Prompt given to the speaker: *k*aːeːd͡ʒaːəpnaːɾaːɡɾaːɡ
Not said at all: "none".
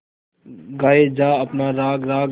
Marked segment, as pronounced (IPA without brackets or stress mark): ɡ